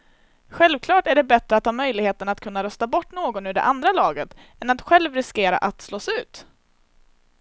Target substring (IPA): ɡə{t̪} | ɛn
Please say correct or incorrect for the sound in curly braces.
correct